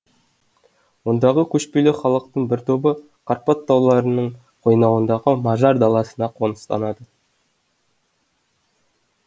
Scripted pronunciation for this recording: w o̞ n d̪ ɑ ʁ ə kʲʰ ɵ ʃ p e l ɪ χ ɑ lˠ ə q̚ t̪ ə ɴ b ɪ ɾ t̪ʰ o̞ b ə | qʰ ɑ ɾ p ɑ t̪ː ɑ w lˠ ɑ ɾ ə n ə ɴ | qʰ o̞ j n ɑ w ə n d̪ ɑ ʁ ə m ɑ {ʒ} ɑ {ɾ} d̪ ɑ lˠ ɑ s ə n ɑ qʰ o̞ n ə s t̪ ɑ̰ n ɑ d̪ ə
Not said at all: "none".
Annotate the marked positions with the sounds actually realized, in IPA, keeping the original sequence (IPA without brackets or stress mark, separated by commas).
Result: ʒ, ɾ